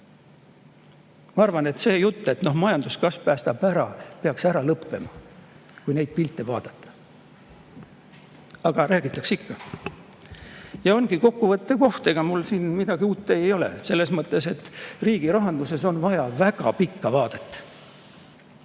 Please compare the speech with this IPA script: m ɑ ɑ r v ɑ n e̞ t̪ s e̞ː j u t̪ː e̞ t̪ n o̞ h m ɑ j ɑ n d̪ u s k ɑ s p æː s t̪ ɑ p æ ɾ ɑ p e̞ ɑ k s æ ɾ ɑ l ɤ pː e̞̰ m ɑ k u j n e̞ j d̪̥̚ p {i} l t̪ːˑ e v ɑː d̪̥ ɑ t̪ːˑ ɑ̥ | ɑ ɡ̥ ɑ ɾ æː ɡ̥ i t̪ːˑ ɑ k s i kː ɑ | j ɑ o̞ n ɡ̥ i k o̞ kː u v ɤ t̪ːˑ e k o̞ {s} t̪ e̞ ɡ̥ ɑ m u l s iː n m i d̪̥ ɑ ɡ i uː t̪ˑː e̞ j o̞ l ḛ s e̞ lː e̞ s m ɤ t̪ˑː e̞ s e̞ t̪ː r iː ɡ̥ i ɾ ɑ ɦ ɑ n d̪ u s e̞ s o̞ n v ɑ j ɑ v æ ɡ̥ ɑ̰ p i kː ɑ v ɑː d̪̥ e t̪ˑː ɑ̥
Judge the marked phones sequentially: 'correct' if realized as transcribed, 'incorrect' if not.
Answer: correct, incorrect

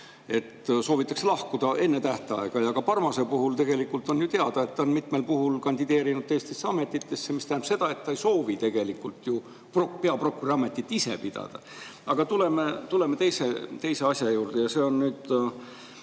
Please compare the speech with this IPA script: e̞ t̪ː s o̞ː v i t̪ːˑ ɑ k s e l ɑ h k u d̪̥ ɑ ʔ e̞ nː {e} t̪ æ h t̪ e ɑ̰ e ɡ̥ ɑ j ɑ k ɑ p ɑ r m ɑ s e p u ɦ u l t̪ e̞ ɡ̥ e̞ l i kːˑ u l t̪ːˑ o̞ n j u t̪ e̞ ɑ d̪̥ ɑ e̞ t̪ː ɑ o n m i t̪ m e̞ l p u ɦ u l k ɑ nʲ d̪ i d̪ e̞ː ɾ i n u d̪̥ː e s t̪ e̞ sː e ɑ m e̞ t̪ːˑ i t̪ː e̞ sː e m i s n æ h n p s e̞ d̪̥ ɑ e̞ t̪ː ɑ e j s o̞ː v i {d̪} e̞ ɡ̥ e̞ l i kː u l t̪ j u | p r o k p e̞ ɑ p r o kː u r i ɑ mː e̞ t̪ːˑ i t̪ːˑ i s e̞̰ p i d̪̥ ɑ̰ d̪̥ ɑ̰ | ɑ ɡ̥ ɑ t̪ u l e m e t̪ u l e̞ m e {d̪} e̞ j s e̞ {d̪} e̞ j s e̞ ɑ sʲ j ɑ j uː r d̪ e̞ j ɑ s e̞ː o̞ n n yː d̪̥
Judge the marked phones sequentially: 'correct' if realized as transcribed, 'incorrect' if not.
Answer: correct, incorrect, incorrect, incorrect

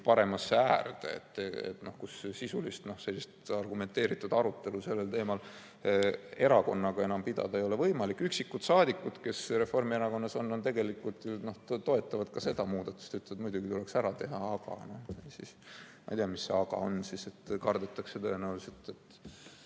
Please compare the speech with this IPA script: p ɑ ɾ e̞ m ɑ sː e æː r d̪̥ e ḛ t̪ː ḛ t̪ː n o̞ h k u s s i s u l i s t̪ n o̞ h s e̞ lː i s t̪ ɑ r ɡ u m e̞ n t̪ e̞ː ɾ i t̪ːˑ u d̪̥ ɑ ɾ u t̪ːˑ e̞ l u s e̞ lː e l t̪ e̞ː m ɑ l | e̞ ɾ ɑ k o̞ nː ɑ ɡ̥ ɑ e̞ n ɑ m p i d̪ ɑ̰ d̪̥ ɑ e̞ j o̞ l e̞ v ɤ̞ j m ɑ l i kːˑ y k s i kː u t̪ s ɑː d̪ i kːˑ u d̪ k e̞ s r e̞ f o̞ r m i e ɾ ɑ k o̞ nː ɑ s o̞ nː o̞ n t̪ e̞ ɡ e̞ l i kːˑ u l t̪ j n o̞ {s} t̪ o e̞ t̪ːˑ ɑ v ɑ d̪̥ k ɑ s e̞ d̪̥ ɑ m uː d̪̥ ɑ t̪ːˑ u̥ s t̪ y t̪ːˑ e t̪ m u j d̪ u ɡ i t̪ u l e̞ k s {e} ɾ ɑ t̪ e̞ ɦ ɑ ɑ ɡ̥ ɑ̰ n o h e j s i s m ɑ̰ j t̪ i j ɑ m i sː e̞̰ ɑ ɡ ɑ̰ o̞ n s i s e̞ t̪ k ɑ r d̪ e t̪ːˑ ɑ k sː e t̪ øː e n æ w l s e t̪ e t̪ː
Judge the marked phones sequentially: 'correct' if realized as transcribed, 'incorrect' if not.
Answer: incorrect, incorrect

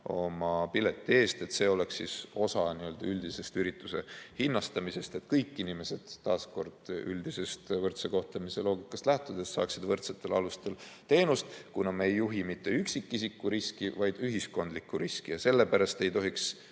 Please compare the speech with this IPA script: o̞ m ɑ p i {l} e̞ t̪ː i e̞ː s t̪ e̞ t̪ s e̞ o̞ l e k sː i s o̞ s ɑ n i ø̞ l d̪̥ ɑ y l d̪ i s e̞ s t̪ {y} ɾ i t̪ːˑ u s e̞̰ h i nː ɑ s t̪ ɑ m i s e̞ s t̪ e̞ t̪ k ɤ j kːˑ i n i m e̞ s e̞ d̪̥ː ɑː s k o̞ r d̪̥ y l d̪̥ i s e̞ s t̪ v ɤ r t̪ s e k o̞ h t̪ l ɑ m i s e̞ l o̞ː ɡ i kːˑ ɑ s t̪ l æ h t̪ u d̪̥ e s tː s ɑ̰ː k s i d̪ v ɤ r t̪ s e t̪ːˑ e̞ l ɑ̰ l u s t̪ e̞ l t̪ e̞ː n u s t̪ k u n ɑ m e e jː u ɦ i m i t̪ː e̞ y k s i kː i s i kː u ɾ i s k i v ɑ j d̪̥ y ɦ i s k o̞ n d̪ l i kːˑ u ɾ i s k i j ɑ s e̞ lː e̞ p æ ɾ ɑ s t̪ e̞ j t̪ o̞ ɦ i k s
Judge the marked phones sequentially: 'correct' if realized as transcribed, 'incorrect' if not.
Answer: correct, correct

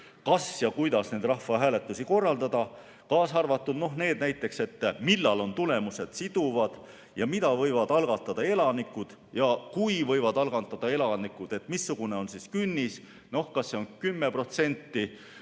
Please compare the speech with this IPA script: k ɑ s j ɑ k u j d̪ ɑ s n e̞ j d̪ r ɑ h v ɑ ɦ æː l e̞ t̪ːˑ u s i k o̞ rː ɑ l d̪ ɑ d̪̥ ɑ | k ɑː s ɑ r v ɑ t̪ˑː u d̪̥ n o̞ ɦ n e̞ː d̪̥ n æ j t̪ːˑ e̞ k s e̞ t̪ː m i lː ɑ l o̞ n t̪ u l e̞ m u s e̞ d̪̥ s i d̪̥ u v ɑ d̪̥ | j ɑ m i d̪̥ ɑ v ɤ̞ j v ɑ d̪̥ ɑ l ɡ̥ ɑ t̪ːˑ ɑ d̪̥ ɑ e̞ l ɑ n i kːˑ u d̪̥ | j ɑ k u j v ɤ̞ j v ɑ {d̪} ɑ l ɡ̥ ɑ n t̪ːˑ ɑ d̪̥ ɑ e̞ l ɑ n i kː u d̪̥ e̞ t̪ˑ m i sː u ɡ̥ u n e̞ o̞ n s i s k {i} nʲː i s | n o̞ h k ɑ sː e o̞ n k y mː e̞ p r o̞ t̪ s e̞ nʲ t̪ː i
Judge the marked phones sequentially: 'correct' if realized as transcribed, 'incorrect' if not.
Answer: correct, incorrect

